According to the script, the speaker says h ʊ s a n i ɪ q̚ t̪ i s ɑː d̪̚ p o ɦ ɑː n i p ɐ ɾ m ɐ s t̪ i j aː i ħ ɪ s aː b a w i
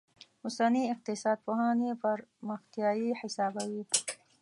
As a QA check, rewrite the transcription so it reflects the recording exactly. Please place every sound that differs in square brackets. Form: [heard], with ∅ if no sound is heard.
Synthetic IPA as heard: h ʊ s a n i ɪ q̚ t̪ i s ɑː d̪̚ p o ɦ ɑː n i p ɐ ɾ m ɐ [x] t̪ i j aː i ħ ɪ s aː b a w i

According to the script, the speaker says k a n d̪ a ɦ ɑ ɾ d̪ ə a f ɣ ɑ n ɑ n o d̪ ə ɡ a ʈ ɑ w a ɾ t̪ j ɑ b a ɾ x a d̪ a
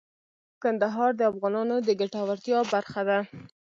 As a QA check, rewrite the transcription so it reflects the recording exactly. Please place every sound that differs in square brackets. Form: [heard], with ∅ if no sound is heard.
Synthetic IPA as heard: k a n d̪ a ɦ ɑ ɾ d̪ ə a f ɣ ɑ n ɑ n o d̪ ə ɡ a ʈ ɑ w a ɾ t̪ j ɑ b a ɾ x a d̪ a

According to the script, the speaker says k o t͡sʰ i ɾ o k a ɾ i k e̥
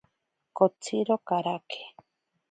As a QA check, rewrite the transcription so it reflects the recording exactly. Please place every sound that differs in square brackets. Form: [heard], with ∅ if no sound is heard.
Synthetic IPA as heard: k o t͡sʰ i ɾ o k a ɾ [a] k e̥

